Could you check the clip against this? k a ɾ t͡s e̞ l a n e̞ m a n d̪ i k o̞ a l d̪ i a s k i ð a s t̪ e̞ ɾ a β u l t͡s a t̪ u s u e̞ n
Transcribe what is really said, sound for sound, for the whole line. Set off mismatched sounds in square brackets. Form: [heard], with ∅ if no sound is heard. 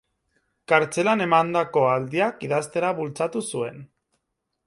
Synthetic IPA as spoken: k a ɾ t͡s e̞ l a n e̞ m a n d̪ [a] k o̞ a l d̪ i a [∅] k i ð a s t̪ e̞ ɾ a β u l t͡s a t̪ u s u e̞ n